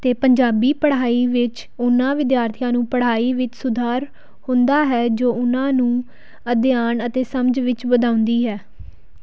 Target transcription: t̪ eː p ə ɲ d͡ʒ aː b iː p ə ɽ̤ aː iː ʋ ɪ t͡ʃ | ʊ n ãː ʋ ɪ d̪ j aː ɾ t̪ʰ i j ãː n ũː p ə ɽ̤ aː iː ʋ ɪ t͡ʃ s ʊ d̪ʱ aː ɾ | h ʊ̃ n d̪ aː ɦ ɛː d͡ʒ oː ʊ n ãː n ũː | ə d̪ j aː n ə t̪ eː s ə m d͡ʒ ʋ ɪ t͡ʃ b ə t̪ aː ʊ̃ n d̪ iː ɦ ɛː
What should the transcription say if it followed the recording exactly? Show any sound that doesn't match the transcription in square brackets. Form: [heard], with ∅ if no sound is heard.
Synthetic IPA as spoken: t̪ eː p ə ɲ d͡ʒ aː b iː p ə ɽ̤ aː iː ʋ ɪ t͡ʃ | ʊ n ãː ʋ ɪ d̪ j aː ɾ t̪ʰ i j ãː n ũː p ə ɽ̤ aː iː ʋ ɪ t͡ʃ s ʊ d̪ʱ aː ɾ | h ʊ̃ n d̪ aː ɦ ɛː d͡ʒ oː ʊ n ãː n ũː | ə d̪ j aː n ə t̪ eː s ə m d͡ʒ ʋ ɪ t͡ʃ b ə [d̪] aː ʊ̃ n d̪ iː ɦ ɛː